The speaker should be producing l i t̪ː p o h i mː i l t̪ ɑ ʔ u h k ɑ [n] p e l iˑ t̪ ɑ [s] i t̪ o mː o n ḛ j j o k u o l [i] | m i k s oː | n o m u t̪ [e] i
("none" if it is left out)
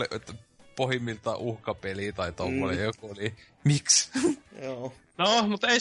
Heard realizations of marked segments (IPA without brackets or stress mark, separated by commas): none, none, i, e